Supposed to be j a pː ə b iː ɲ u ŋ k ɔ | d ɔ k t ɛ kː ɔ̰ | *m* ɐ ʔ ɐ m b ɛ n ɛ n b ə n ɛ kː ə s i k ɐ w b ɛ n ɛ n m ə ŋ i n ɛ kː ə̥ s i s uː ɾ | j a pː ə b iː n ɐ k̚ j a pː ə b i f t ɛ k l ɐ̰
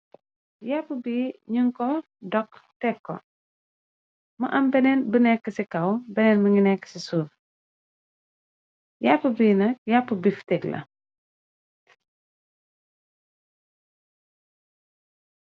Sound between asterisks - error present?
no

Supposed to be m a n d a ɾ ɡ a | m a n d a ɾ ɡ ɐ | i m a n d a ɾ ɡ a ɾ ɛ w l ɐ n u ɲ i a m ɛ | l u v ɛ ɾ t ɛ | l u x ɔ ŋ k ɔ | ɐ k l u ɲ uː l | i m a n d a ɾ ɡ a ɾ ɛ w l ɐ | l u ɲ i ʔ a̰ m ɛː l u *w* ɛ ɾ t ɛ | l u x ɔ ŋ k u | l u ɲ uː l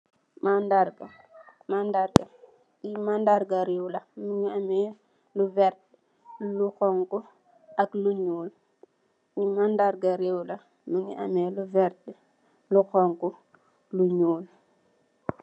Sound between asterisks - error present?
yes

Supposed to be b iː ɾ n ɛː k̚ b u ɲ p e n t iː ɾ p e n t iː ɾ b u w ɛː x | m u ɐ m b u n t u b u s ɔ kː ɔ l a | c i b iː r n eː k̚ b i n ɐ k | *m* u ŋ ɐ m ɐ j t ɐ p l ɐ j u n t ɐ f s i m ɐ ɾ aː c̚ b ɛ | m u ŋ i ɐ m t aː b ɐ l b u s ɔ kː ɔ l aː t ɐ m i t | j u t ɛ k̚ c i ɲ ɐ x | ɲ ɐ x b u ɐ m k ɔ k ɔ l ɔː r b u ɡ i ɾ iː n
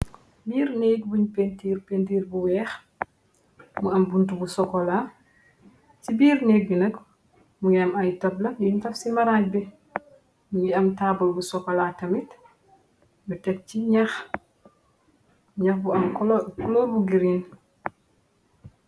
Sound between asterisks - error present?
no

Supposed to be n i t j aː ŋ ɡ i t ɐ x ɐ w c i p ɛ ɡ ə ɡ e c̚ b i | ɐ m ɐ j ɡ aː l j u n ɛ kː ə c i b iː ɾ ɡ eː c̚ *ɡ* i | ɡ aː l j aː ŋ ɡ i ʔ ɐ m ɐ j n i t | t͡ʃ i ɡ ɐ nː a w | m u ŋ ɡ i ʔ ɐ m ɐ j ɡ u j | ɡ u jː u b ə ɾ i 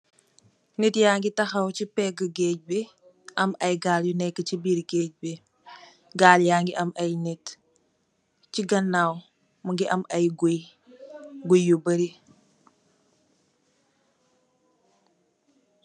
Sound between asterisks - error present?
yes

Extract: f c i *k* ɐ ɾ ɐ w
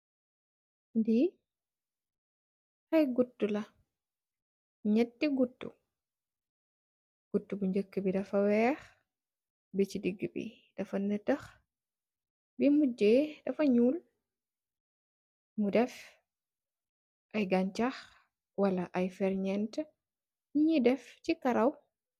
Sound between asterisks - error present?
no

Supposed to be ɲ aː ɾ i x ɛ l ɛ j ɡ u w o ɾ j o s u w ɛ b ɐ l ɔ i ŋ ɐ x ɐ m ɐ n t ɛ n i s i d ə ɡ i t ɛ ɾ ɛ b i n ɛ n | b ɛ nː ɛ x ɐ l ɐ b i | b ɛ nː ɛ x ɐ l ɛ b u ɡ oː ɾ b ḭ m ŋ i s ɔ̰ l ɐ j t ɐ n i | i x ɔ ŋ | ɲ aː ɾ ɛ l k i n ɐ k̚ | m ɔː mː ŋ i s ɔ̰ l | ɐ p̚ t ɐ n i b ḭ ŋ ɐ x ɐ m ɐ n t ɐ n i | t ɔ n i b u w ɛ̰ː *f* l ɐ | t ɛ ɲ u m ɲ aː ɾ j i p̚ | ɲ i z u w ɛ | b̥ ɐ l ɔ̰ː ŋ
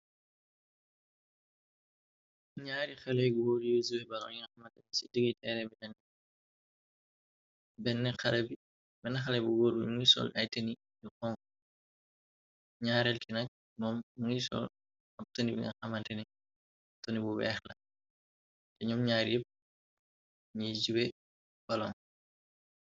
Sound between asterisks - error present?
yes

